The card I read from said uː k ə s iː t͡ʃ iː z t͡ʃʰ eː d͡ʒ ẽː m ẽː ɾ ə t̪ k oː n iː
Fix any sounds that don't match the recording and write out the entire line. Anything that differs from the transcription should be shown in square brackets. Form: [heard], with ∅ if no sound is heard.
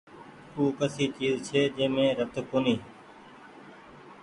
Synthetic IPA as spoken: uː k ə s iː t͡ʃ iː z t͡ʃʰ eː d͡ʒ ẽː m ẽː ɾ ə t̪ k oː n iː